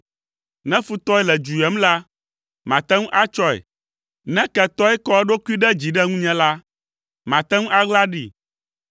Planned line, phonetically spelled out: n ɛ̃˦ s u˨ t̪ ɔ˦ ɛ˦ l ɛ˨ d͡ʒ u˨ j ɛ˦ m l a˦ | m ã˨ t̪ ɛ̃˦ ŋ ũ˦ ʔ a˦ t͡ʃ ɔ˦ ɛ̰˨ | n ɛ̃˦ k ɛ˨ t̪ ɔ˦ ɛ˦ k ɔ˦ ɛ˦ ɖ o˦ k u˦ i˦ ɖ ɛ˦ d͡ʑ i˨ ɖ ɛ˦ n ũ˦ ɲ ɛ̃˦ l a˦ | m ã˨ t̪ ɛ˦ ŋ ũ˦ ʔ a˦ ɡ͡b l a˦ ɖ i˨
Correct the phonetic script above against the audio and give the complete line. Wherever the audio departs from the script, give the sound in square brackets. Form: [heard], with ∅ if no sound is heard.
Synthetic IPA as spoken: n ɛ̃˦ [f] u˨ t̪ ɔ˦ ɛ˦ l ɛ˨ d͡ʒ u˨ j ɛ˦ m l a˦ | m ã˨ t̪ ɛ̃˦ ŋ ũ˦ ʔ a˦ t͡ʃ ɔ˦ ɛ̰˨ | n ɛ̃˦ k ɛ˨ t̪ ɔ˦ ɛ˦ k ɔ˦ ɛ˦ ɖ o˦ k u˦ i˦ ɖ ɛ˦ d͡ʑ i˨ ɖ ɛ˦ [ŋ] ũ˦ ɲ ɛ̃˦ l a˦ | m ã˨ t̪ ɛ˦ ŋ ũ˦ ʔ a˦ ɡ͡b l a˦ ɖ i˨